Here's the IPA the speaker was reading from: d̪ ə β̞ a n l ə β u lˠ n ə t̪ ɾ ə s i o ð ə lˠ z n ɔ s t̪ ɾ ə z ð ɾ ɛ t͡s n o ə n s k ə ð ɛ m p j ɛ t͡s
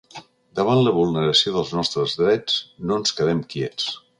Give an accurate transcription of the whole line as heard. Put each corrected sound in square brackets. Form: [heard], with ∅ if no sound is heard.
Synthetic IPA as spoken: d̪ ə β̞ a n l ə β u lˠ n ə [∅] ɾ ə s i o ð ə lˠ z n ɔ s t̪ ɾ ə z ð ɾ ɛ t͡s n o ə n s k ə ð ɛ m [k] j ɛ t͡s